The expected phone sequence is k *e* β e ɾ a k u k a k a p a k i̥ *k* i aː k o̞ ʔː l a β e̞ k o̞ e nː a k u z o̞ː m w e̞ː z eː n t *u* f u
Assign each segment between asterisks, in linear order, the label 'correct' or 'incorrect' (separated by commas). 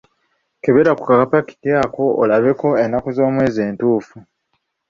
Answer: correct, incorrect, incorrect